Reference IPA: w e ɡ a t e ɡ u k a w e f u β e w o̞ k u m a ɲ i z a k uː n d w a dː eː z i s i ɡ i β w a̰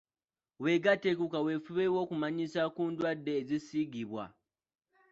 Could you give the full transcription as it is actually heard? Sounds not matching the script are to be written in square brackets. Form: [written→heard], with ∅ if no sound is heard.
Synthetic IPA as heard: w e ɡ a t e [ɡ→k] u k a w e f u β e w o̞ k u m a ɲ i [z→s] a k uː n d w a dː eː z i s i ɡ i β w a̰